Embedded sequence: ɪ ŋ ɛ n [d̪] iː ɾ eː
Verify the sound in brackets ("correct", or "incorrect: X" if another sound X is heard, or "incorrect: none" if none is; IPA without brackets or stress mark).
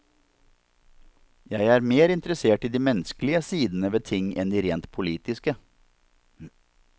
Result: correct